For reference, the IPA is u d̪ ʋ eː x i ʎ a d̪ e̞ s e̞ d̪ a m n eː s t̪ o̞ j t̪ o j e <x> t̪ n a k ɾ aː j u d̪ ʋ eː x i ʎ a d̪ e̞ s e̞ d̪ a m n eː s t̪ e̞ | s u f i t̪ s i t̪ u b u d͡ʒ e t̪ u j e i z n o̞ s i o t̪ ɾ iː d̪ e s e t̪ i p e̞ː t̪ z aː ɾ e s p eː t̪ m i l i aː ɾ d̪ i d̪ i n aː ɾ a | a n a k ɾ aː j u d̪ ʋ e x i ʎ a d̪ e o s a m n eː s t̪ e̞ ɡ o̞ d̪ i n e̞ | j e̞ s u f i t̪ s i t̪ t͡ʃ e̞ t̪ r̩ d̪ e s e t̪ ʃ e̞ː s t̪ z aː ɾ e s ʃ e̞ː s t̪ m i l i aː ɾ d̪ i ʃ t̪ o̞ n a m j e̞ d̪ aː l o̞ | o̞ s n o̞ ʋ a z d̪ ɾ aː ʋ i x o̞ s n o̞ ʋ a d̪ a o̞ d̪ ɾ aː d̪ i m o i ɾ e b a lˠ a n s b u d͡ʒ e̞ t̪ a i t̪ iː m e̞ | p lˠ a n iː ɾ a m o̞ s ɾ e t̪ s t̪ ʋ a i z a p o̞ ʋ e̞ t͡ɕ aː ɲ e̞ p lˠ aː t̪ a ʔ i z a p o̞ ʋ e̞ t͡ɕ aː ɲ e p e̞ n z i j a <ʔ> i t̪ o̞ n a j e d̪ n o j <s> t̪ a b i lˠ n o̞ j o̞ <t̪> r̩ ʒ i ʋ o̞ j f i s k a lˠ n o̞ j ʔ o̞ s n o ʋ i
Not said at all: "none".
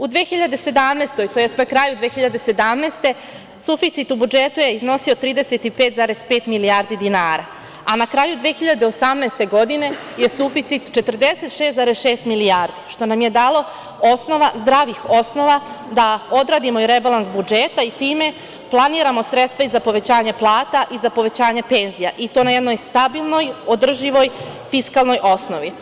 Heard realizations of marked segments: s, ʔ, s, d̪

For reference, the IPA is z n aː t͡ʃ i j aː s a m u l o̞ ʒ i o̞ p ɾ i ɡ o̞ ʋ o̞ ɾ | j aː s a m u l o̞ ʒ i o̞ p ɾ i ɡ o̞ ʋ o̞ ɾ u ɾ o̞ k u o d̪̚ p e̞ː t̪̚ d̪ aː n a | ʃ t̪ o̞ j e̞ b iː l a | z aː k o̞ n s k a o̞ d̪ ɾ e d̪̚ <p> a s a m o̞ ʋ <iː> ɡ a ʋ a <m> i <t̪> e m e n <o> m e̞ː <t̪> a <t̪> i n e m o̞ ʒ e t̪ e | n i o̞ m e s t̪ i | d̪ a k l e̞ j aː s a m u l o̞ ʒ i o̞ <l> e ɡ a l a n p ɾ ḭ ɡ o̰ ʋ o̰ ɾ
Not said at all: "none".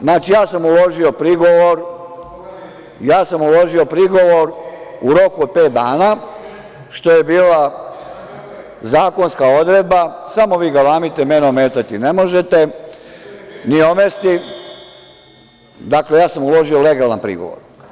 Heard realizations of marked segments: b, iː, m, t̪, o, t̪, t̪, l

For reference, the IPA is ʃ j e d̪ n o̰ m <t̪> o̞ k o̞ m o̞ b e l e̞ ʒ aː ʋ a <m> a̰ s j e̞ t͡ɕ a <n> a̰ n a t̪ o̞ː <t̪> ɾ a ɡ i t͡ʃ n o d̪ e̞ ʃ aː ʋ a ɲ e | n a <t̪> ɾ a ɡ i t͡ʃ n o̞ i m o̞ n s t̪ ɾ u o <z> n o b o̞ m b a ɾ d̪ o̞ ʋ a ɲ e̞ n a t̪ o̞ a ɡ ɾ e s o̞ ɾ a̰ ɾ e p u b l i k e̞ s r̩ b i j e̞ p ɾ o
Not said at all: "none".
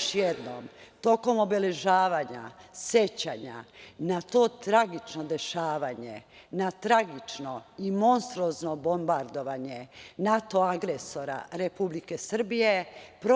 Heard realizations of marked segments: t̪, ɲ, ɲ, t̪, t̪, z

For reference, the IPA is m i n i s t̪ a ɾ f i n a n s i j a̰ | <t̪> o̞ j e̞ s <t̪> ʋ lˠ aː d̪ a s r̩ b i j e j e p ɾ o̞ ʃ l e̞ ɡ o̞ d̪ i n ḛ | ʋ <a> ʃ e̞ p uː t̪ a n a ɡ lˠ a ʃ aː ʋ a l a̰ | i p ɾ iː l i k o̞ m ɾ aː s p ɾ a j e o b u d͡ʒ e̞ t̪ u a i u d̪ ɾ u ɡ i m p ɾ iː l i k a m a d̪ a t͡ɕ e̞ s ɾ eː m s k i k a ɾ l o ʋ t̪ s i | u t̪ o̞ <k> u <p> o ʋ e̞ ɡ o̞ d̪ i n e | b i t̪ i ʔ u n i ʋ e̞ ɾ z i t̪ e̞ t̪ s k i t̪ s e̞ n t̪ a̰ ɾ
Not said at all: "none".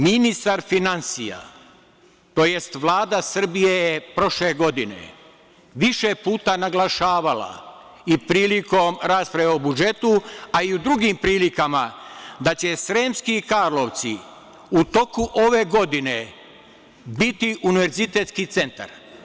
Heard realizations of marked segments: t̪, t̪, i, k, ʔ

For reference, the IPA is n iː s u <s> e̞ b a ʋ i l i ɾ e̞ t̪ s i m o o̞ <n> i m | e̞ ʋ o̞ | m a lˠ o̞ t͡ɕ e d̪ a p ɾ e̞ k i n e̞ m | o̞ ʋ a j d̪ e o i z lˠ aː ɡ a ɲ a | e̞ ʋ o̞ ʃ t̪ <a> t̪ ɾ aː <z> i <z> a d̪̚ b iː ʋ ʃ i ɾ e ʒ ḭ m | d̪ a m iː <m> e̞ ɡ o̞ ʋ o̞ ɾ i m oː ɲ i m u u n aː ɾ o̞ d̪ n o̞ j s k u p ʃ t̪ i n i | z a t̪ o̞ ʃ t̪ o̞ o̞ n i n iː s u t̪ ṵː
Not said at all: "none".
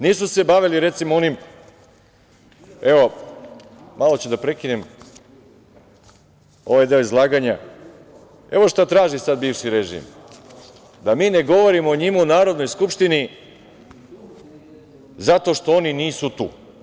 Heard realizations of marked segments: s, n, a, ʒ, s, n

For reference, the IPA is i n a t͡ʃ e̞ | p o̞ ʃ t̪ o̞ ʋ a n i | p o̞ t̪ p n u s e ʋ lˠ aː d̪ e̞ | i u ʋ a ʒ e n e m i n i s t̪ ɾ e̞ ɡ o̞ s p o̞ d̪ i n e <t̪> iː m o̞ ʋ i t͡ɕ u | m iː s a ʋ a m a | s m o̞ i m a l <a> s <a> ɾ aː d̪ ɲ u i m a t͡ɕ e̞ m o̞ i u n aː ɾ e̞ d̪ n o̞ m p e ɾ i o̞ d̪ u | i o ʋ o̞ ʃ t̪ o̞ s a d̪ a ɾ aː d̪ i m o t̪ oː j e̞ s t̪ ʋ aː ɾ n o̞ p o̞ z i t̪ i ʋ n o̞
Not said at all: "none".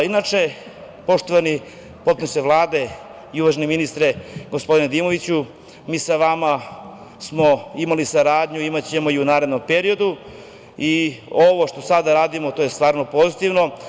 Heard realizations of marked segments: d̪, i, a

